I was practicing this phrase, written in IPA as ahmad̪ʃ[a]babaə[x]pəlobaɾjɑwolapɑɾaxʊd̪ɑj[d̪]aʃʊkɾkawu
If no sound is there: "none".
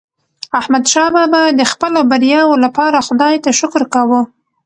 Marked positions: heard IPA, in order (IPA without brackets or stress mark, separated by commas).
ɑ, x, t̪